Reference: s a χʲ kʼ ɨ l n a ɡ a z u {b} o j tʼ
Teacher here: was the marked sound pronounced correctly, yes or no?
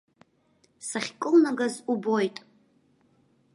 yes